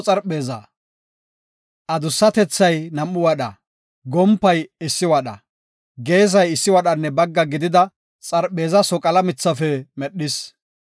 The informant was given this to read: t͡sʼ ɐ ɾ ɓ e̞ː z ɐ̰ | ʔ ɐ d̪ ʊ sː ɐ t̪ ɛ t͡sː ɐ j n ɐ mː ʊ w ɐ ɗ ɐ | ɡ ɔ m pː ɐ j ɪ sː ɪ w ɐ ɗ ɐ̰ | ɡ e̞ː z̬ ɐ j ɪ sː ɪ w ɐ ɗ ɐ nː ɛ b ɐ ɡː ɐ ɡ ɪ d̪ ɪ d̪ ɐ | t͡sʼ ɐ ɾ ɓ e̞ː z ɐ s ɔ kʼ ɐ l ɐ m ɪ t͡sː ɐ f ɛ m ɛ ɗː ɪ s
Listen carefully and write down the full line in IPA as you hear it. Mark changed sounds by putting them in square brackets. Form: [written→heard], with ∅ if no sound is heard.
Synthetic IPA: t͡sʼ ɐ ɾ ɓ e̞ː z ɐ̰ | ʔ ɐ d̪ ʊ sː ɐ t̪ ɛ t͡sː ɐ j n ɐ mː ʊ w ɐ ɗ ɐ | ɡ ɔ m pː ɐ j ɪ sː ɪ w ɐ ɗ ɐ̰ | ɡ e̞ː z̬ ɐ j ɪ sː ɪ w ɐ ɗ ɐ nː ɛ b ɐ ɡː ɐ ɡ ɪ d̪ ɪ d̪ ɐ | t͡sʼ ɐ ɾ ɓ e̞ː z ɐ s ɔ kʼ ɐ l ɐ m ɪ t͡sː ɐ f ɛ m ɛ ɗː ɪ s